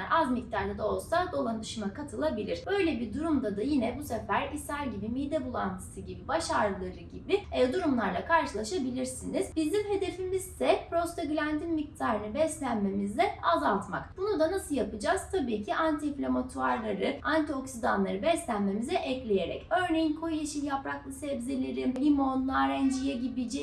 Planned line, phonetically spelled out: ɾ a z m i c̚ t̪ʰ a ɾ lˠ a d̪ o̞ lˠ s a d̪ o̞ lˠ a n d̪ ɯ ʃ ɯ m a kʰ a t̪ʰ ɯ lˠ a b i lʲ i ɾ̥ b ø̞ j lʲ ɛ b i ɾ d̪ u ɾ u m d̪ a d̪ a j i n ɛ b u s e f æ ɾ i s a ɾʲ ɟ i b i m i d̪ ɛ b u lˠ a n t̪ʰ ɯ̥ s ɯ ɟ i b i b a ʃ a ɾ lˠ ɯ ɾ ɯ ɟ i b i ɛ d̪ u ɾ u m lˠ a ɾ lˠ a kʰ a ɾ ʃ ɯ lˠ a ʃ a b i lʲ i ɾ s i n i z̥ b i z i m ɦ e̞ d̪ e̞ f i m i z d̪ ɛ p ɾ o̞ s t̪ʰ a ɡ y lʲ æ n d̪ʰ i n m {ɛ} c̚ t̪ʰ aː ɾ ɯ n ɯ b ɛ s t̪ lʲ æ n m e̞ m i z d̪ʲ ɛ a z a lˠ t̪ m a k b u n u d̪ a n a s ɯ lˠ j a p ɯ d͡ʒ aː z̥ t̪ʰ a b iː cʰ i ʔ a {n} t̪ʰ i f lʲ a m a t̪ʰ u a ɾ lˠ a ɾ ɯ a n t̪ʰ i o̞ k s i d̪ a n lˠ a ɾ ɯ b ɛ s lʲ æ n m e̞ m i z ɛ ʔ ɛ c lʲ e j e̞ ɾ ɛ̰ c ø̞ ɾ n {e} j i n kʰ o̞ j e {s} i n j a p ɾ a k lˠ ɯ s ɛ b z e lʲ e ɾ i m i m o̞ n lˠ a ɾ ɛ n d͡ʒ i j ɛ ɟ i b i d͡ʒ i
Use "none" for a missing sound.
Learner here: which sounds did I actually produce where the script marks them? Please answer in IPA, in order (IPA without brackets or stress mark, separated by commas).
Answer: i, n, e, ʃ